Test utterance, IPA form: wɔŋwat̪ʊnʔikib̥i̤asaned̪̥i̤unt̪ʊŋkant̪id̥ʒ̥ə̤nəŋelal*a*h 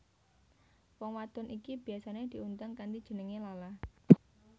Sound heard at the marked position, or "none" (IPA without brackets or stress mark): a